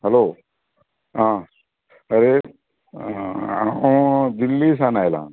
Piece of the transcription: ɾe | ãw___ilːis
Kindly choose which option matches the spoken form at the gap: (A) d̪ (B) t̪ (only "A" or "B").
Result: A